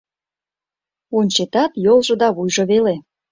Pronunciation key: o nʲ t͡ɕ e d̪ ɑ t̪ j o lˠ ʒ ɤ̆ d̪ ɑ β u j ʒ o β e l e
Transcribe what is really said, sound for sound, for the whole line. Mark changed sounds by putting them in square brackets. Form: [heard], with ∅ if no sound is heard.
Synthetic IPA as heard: o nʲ t͡ɕ e [t̪] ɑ t̪ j o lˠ ʒ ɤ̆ d̪ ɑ β u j ʒ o β e l e